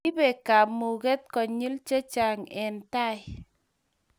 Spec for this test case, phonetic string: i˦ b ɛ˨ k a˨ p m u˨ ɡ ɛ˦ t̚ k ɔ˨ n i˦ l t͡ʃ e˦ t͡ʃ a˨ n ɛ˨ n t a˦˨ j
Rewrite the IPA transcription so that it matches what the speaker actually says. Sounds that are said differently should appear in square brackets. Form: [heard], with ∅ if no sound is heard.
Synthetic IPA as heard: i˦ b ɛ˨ k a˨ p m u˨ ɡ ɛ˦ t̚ k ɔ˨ [ɲ] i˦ l t͡ʃ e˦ t͡ʃ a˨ [ŋ] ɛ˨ n t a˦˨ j

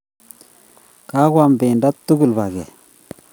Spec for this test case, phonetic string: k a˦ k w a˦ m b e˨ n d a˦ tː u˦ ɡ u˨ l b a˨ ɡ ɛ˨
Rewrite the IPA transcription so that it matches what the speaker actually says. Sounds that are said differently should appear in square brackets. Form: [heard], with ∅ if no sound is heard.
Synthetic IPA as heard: k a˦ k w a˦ m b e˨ n d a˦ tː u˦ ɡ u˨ l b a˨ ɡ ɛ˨

